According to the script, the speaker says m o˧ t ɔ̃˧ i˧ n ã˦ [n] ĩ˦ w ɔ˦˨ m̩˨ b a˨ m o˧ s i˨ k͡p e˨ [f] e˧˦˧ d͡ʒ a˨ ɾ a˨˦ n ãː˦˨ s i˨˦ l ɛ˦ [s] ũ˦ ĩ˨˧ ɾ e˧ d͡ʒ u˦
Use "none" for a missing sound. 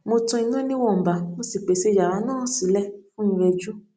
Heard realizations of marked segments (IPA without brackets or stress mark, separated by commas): n, s, f